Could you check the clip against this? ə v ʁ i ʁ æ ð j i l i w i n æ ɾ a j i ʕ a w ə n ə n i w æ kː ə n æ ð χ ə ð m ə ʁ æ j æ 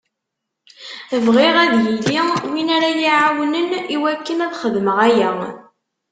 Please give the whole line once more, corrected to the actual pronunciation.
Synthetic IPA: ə v ʁ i ʁ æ ð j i l i w i n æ ɾ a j i ʕ a w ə n ə n i w æ kː ə n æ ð χ ə ð m ə ʁ æ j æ